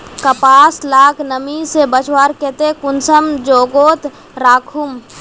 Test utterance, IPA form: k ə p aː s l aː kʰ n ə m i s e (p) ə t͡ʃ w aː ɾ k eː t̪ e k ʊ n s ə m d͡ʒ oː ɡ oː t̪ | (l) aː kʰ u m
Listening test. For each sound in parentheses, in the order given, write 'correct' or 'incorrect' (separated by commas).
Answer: incorrect, incorrect